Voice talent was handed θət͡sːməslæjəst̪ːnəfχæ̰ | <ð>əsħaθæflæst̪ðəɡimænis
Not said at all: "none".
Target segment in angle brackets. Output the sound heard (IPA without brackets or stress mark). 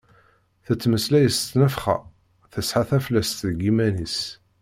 θ